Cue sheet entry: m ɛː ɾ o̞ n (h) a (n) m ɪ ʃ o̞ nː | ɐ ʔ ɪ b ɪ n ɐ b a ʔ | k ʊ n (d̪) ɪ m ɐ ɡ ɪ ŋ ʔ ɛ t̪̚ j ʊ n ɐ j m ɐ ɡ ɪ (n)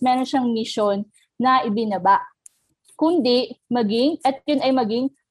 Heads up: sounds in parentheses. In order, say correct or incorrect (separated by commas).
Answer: incorrect, incorrect, correct, incorrect